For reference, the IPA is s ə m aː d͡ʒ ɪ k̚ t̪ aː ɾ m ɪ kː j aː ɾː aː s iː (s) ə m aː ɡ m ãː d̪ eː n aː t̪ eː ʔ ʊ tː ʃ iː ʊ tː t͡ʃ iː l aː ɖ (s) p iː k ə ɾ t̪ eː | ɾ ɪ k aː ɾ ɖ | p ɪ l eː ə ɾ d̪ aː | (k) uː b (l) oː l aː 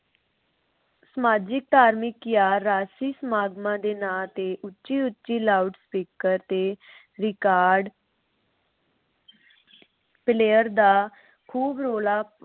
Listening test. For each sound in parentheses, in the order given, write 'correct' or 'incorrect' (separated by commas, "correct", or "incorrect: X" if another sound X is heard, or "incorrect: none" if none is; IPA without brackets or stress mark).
correct, correct, incorrect: kʰ, incorrect: ɾ